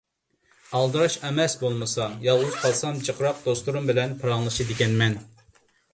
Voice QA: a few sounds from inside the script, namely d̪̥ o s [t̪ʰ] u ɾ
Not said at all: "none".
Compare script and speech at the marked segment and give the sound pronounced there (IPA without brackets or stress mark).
t̪